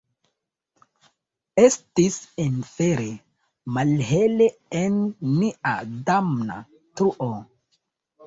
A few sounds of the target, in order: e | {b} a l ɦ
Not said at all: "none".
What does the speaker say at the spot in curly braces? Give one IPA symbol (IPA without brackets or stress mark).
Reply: m